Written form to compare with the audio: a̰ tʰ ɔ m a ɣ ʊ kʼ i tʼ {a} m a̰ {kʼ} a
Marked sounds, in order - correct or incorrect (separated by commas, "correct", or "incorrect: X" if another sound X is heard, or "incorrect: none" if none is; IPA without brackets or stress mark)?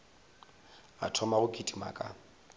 incorrect: i, correct